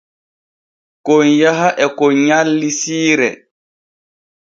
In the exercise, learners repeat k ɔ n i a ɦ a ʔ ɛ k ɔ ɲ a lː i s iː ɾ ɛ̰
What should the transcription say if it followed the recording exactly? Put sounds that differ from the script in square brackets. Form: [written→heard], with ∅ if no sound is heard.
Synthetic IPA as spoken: k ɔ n [i→j] a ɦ a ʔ ɛ k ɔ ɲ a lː i s iː ɾ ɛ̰

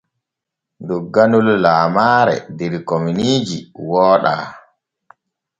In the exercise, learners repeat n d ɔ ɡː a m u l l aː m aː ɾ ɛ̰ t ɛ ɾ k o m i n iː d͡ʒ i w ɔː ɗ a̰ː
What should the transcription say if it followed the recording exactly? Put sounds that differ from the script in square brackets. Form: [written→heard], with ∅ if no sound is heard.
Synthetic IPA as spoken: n d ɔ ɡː a [m→n] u l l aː m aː ɾ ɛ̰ [t→d] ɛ ɾ k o m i n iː d͡ʒ i w ɔː ɗ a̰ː

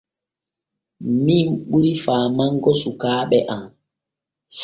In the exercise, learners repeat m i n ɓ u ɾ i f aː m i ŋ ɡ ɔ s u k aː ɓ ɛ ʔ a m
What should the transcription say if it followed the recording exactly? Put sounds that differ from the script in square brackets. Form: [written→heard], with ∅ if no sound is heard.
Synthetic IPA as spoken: m i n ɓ u ɾ i f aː m [i→a] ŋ ɡ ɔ s u k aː ɓ ɛ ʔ a m

